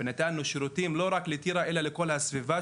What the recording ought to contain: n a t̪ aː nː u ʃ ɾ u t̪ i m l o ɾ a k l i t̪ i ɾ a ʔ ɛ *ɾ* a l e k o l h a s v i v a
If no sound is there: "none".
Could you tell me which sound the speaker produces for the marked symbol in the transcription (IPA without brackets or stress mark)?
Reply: l